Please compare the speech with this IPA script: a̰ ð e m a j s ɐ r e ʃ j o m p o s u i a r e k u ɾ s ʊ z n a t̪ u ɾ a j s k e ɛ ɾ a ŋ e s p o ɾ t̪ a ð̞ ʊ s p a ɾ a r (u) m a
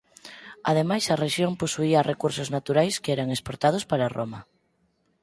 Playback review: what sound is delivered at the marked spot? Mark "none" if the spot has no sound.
o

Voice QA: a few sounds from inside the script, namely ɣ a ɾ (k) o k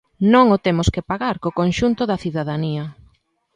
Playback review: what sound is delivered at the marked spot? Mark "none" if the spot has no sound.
k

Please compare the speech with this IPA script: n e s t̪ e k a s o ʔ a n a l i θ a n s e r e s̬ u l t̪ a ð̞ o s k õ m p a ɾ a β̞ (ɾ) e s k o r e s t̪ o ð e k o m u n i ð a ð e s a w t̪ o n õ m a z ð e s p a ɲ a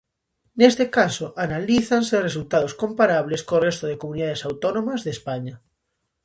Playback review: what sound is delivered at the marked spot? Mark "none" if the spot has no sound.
l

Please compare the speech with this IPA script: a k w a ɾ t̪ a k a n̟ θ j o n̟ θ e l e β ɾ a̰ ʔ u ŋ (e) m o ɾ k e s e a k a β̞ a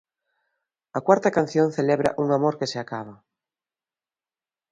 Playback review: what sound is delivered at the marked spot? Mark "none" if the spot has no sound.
a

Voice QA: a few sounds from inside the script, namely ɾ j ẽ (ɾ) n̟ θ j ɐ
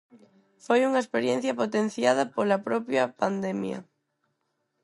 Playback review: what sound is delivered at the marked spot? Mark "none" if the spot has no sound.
none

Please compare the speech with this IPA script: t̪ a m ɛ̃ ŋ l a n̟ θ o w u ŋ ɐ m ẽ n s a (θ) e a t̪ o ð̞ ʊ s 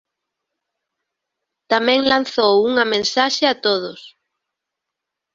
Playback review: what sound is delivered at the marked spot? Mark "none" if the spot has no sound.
ʃ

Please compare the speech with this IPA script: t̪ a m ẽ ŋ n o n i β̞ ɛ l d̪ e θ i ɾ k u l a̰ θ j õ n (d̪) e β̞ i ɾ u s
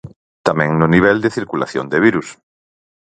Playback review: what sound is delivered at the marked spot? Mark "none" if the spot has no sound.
d̪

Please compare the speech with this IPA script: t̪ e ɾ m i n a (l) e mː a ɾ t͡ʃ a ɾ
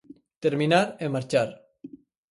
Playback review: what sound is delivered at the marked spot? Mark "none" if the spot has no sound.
ɾ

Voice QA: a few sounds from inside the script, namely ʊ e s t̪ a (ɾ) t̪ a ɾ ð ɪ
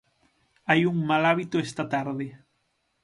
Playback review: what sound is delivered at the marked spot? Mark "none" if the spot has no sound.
none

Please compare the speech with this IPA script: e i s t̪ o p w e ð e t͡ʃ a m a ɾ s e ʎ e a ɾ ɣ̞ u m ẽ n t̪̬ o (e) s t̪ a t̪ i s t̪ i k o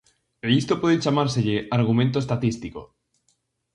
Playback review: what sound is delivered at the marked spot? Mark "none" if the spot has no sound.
e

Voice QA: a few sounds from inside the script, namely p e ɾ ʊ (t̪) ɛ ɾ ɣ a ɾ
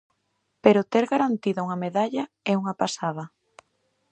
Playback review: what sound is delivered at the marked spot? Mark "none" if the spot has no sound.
t̪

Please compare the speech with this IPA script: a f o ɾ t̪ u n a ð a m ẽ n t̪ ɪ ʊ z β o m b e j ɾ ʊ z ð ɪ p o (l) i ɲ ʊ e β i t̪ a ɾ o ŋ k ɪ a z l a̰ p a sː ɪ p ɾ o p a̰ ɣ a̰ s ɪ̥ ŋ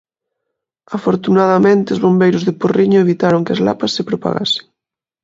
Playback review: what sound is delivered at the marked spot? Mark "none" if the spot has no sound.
r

